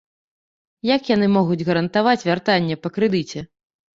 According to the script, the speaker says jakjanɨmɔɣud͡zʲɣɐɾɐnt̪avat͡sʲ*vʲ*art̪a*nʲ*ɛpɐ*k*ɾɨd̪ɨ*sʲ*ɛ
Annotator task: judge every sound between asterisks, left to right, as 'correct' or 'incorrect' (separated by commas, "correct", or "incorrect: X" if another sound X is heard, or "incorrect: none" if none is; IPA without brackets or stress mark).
correct, incorrect: nʲː, correct, incorrect: t͡sʲ